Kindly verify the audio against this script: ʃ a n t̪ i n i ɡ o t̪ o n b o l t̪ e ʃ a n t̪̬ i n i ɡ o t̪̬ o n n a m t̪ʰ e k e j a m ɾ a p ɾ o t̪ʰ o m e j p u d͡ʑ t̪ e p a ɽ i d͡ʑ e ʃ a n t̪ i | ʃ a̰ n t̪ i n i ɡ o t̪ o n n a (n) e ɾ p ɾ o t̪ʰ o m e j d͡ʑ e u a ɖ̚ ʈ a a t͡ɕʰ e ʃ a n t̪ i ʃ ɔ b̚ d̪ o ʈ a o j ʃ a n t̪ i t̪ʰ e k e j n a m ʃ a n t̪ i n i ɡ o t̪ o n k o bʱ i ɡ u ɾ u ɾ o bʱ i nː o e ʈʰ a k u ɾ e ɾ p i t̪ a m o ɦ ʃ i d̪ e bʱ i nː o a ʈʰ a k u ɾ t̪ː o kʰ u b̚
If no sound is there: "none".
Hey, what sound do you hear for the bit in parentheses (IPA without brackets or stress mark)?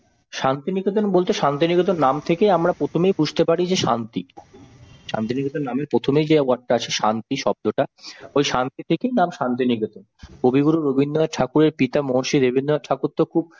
m